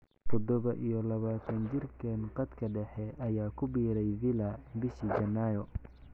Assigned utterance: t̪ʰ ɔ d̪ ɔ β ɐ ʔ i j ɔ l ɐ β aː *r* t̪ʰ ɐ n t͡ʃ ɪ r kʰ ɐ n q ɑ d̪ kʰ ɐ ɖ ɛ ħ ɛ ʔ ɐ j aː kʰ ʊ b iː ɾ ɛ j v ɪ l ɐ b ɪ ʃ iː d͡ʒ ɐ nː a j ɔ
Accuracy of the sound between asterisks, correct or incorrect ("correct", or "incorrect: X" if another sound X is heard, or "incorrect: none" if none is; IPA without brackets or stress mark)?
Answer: incorrect: none